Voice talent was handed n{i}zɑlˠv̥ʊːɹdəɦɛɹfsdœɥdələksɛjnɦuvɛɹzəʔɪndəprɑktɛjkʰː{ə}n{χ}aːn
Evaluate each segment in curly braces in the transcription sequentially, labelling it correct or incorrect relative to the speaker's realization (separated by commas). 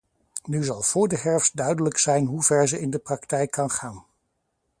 incorrect, incorrect, correct